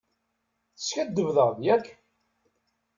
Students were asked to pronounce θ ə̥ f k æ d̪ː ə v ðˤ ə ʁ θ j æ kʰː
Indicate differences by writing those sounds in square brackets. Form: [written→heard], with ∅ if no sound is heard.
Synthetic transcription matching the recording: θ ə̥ [f→s] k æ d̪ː ə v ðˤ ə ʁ [θ→ð] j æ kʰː